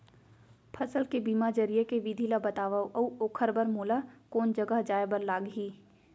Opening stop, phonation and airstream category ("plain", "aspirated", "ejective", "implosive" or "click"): aspirated